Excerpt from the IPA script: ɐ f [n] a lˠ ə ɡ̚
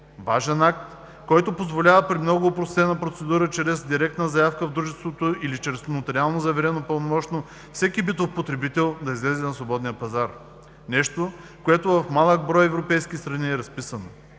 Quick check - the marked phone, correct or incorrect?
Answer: incorrect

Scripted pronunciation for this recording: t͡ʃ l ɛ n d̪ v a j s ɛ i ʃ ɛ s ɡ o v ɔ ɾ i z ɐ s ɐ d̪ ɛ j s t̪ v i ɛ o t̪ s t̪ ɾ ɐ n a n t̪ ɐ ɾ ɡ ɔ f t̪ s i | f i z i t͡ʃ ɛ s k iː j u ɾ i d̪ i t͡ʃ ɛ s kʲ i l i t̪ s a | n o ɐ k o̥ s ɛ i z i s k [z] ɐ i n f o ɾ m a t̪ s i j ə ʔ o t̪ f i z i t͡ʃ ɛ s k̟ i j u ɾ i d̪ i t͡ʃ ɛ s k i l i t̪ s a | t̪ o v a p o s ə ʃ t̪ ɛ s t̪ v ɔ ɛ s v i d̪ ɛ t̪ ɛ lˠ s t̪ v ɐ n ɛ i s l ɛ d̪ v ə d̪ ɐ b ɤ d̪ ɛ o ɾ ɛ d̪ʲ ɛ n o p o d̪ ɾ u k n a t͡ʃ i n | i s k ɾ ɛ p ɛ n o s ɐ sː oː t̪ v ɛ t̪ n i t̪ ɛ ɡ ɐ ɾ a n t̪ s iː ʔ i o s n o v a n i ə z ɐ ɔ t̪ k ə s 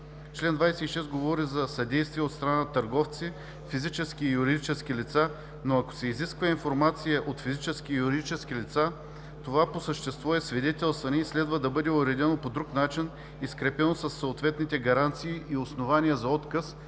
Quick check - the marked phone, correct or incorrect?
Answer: incorrect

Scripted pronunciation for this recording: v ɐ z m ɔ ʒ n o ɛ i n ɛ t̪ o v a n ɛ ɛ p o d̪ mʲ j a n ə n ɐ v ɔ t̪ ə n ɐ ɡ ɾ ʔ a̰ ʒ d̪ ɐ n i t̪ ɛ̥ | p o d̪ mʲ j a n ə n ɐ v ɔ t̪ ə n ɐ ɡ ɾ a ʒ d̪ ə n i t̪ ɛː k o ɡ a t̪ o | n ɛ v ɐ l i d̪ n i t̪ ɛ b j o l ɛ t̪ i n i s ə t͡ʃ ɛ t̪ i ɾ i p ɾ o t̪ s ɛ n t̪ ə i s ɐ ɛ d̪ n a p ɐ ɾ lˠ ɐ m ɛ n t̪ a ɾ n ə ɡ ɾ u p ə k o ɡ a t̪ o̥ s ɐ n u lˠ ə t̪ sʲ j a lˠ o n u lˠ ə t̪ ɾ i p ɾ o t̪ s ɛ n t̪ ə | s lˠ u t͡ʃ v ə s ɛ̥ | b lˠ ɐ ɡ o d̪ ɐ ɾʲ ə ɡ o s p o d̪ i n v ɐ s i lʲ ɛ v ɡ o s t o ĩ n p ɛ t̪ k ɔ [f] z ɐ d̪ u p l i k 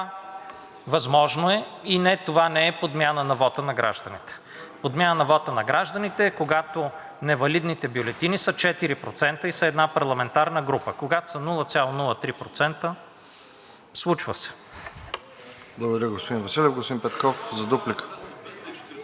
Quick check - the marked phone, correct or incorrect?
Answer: correct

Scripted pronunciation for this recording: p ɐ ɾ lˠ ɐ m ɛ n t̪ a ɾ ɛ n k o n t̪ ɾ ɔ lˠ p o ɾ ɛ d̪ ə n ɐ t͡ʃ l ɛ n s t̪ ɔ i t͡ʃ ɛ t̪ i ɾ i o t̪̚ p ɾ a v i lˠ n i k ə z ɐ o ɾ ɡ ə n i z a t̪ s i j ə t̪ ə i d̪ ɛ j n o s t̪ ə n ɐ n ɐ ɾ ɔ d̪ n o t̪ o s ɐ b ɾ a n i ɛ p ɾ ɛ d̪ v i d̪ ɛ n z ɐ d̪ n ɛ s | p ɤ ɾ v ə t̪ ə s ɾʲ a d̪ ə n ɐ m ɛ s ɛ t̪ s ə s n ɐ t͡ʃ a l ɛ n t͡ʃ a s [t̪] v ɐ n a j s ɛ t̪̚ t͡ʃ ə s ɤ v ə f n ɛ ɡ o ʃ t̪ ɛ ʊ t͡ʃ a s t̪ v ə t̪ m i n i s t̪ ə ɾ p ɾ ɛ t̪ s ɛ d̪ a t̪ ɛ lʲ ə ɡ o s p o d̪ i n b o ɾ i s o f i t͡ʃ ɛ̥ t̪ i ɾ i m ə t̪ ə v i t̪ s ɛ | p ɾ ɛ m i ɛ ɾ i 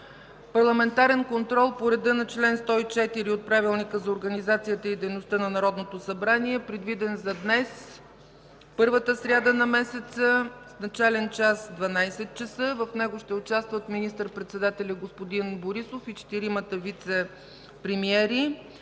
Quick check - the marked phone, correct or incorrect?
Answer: incorrect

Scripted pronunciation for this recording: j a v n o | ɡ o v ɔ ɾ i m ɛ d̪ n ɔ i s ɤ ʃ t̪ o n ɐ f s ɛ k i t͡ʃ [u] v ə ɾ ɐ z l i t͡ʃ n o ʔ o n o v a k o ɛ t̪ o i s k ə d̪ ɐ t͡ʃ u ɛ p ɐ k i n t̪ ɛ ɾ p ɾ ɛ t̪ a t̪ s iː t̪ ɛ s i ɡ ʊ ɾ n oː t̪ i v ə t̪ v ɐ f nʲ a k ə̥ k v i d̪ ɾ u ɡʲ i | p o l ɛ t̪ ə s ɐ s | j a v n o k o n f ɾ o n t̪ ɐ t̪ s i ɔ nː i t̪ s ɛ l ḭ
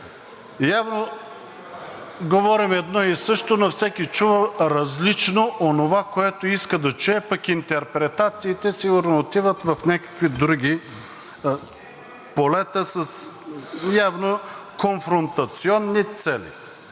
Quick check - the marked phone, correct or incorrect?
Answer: correct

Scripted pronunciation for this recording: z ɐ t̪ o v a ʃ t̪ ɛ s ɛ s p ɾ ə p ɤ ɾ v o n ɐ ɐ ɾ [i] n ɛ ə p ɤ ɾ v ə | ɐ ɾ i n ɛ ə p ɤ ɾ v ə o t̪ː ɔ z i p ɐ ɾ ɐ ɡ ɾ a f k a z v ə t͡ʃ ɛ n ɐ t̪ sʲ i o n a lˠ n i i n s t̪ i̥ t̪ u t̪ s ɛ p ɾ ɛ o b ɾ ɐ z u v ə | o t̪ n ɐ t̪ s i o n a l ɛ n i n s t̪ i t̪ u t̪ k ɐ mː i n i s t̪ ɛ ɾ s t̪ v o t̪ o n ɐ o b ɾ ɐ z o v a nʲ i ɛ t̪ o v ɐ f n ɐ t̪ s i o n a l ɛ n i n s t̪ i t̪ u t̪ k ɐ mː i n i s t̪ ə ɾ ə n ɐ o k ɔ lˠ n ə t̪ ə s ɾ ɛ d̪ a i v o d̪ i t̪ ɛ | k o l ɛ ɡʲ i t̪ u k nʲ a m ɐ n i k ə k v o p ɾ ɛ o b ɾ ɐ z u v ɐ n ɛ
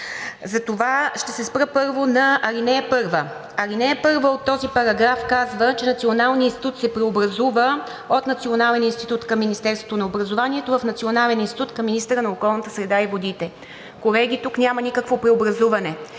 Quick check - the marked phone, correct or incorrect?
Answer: correct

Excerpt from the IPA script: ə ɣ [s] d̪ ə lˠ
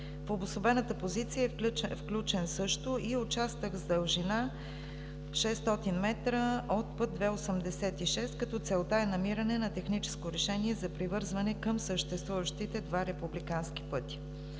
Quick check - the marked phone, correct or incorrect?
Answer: incorrect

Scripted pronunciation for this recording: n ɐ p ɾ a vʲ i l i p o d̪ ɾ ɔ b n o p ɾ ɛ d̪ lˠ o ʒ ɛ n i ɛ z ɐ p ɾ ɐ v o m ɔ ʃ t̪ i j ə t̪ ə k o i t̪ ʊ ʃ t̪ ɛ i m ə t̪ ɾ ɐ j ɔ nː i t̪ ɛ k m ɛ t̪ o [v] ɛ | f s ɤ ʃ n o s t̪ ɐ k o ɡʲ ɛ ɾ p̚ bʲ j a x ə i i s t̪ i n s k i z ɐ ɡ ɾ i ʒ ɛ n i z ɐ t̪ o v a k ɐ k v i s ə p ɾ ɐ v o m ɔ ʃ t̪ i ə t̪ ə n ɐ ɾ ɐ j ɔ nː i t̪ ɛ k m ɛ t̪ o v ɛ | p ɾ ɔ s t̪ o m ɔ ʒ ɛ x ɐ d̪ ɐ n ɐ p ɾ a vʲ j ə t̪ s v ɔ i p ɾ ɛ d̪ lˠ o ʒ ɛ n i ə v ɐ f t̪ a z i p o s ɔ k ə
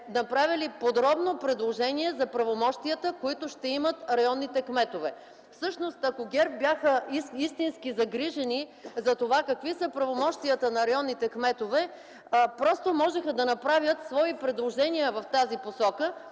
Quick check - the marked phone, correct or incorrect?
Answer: correct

